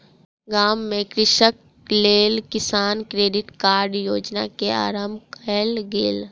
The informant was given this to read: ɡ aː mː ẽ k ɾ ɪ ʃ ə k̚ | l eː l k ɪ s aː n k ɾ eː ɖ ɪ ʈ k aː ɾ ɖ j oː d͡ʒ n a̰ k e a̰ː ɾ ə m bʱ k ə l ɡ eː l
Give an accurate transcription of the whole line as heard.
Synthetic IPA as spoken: ɡ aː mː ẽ k ɾ ɪ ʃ ə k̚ | l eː l k ɪ s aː n k ɾ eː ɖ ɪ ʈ k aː ɾ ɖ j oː d͡ʒ n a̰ k e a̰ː ɾ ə m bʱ k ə l ɡ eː l